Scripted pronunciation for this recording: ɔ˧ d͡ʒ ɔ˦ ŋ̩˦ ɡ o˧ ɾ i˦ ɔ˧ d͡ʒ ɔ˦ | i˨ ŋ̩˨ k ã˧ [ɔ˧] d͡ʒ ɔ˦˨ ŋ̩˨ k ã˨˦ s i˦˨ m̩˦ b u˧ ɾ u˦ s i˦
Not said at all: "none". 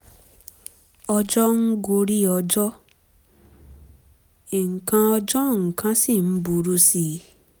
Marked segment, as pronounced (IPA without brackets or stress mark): ɔ˧